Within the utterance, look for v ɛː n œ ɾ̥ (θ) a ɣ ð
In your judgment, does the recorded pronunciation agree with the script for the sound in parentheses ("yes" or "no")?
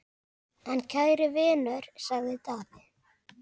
no